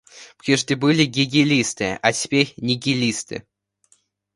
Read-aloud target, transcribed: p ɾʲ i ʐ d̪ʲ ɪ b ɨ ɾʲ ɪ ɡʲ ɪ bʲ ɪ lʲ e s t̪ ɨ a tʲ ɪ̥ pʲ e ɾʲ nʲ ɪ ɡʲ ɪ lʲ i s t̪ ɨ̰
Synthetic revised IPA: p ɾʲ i ʐ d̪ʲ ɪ b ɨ lʲ ɪ ɡʲ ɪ ɡʲ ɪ lʲ i s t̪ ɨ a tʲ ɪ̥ pʲ e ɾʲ nʲ ɪ ɡʲ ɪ lʲ i s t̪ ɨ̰